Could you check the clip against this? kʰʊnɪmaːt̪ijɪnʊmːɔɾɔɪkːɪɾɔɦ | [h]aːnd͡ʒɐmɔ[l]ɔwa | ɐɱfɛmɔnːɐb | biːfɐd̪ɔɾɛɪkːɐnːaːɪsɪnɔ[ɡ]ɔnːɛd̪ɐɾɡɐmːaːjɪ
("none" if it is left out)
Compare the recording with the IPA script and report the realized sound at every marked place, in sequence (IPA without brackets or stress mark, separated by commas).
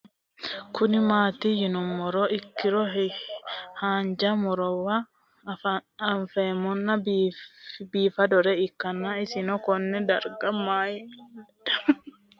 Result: h, ɾ, k